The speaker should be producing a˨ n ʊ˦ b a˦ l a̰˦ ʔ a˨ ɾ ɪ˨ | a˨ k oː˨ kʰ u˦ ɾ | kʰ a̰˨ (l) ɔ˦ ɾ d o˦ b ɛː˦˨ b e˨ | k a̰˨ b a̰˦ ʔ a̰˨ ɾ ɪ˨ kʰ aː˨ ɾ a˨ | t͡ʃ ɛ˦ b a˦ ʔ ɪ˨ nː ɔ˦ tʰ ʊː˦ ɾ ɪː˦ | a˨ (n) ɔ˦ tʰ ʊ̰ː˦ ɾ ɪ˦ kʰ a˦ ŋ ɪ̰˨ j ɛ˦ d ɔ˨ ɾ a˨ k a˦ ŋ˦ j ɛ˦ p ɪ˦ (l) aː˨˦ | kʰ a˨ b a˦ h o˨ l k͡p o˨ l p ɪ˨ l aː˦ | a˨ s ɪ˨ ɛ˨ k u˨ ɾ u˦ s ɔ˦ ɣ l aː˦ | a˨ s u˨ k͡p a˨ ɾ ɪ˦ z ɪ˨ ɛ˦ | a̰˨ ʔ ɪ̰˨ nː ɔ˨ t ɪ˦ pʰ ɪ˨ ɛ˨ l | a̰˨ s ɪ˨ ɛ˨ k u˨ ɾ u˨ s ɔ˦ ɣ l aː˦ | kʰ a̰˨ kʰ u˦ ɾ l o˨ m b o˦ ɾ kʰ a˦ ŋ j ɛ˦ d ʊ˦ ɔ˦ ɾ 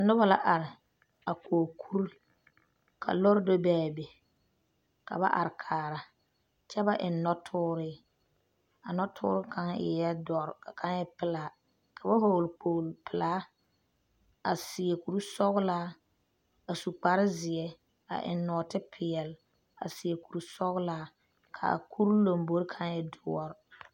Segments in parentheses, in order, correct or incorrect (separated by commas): correct, correct, correct